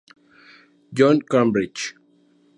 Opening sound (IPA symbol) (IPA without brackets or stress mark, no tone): d͡ʒ